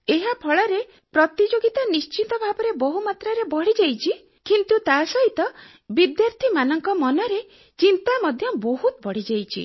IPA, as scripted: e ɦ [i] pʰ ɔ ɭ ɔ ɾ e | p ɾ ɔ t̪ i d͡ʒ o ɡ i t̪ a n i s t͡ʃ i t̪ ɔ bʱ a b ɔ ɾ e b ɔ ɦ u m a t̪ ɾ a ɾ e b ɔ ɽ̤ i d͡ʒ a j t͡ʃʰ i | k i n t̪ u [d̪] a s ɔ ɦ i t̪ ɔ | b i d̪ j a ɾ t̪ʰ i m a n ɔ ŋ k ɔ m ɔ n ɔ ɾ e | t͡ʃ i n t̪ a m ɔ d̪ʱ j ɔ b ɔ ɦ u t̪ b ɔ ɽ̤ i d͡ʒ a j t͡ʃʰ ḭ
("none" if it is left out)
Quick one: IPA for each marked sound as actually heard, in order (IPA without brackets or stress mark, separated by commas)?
a, t̪